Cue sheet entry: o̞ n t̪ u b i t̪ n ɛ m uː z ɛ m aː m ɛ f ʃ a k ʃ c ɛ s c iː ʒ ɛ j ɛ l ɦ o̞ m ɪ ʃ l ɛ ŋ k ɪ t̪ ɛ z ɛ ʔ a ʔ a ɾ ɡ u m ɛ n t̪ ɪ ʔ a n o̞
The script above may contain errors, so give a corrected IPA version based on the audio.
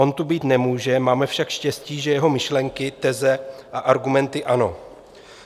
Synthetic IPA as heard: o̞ n t̪ u b iː t̪ n ɛ m uː ʒ ɛ m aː m ɛ f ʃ a k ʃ c ɛ s c iː ʒ ɛ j ɛ ɦ o̞ m ɪ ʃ l ɛ ŋ k ɪ t̪ ɛ z ɛ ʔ a ʔ a ɾ ɡ u m ɛ n t̪ ɪ ʔ a n o̞

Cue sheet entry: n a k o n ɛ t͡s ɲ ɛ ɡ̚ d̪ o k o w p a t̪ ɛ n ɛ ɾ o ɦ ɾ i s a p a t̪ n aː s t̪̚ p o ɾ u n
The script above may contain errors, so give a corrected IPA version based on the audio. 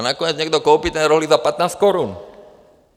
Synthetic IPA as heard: n a k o ɲ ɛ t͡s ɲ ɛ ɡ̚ d̪ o k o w p i t̪ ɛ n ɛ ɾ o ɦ l i z a p a t̪ n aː s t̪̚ k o ɾ u n

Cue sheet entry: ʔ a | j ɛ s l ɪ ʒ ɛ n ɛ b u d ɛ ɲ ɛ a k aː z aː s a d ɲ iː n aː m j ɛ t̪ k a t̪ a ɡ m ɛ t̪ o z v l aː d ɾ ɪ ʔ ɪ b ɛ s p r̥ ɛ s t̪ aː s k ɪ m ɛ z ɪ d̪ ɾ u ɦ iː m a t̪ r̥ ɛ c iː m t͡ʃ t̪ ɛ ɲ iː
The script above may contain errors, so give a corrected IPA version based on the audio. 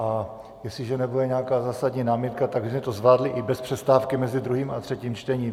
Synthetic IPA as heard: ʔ a | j ɛ s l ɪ ʒ ɛ n ɛ b u d ɛ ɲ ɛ a k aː z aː s a d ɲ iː n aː m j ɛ t̪ k a t̪ a ɡ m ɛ t̪ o z v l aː d l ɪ ʔ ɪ b ɛ s p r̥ ɛ s t̪ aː f k ɪ m ɛ z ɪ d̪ ɾ u ɦ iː m a t̪ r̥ ɛ c iː m t͡ʃ t̪ ɛ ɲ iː

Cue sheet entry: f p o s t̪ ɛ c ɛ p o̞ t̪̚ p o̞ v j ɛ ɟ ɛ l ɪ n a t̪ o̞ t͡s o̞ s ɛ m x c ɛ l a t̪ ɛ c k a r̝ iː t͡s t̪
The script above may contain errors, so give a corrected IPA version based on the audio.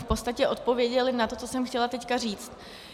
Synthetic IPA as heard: f p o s t̪ a c ɛ ʔ o̞ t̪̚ p o̞ v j ɛ ɟ ɛ l ɪ n a t̪ o̞ t͡s o̞ s ɛ m x c ɛ l a t̪ ɛ c k a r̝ iː t͡s t̪

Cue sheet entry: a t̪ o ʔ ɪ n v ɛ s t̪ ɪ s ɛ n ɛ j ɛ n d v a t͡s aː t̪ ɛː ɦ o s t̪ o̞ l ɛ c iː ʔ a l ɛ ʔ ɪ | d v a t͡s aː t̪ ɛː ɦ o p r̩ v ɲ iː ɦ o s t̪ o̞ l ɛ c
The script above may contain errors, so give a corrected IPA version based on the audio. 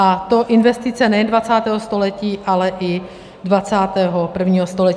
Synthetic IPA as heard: a t̪ o ʔ ɪ n v ɛ s t̪ ɪ t͡s ɛ n ɛ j ɛ n d v a t͡s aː t̪ ɛː ɦ o s t̪ o̞ l ɛ c iː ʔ a l ɛ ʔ ɪ | d v a t͡s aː t̪ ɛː ɦ o p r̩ v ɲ iː ɦ o s t̪ o̞ l ɛ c

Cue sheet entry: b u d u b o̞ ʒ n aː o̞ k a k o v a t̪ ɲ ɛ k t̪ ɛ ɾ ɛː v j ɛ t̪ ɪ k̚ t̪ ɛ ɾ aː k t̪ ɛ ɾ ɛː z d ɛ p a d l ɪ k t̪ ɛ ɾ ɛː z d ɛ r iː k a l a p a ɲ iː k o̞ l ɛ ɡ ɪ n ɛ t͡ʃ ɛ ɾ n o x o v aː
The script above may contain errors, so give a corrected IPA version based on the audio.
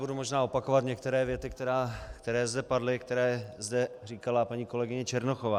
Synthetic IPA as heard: b u d u m o̞ ʒ n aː o̞ p a k o v a t̪ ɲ ɛ k t̪ ɛ ɾ ɛː v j ɛ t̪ ɪ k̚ t̪ ɛ ɾ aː k t̪ ɛ ɾ ɛː z d ɛ p a d l ɪ k t̪ ɛ ɾ ɛː z d ɛ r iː k a l a p a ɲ iː k o̞ l ɛ ɡ ɪ ɲ ɛ t͡ʃ ɛ ɾ n o x o v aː

